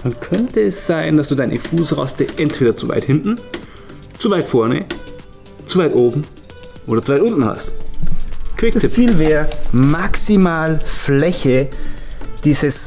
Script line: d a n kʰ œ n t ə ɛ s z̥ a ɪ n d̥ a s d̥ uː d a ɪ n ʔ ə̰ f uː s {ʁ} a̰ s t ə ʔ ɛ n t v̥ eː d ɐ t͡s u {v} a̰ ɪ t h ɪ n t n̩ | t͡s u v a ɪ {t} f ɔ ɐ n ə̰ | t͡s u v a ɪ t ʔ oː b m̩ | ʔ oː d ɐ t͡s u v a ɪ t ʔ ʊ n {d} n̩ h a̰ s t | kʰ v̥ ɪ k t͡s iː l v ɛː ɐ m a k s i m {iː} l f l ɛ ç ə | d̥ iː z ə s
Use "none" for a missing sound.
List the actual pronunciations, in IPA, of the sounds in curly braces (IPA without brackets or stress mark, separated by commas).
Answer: ʁ, v, t, t, aː